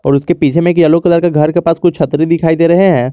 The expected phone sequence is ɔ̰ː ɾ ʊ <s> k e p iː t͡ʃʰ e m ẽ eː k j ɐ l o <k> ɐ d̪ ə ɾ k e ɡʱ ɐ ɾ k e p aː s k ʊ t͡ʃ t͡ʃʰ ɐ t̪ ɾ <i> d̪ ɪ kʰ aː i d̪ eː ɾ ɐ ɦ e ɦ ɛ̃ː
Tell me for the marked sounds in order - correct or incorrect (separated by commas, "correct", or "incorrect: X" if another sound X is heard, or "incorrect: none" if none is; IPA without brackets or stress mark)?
correct, correct, correct